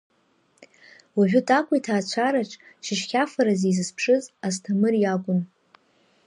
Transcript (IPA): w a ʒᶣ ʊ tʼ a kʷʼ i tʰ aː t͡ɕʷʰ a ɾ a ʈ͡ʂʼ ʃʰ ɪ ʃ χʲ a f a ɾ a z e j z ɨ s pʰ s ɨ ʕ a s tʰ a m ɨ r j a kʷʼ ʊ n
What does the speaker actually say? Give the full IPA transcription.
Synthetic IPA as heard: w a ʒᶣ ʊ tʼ a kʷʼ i tʰ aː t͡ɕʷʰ a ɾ a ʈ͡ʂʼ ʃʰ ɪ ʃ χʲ a f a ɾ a z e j z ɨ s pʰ ʂ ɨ z a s tʰ a m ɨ r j a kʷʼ ʊ n